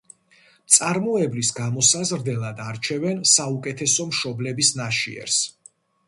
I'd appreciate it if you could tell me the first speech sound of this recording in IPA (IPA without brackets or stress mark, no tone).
t̪